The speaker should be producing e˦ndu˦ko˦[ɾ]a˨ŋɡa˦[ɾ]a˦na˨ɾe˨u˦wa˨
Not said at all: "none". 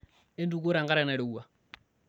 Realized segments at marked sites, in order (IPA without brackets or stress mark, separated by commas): ɾ, ɾ